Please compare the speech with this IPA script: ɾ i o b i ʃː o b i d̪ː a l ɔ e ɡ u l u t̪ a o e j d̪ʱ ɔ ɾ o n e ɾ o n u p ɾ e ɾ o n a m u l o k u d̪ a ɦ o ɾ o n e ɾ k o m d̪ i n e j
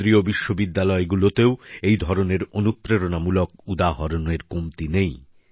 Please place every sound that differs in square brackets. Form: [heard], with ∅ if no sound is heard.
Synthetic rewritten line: ɾ i o b i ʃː o b i d̪ː a l ɔ e ɡ u l [o] t̪ [e] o e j d̪ʱ ɔ ɾ o n e ɾ o n u p ɾ e ɾ o n a m u l o k u d̪ a ɦ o ɾ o n e ɾ k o m [t̪] i n e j